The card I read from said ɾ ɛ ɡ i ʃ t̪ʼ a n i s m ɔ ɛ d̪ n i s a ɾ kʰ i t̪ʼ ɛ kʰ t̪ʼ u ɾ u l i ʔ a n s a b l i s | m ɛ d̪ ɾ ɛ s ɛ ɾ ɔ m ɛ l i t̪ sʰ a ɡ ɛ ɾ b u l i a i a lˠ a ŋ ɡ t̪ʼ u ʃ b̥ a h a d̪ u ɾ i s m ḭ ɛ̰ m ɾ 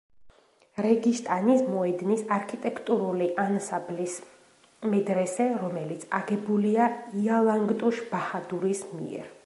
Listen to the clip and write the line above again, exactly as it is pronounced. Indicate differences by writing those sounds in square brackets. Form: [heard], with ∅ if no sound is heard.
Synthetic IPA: ɾ ɛ ɡ i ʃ t̪ʼ a n i s m ɔ ɛ d̪ n i s a ɾ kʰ i t̪ʼ ɛ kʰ t̪ʼ u ɾ u l i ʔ a n s a b l i s | m ɛ d̪ ɾ ɛ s ɛ ɾ ɔ m ɛ l i t̪ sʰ a ɡ ɛ [∅] b u l i a i a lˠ a ŋ ɡ t̪ʼ u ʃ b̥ a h a d̪ u ɾ i s m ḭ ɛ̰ [∅] ɾ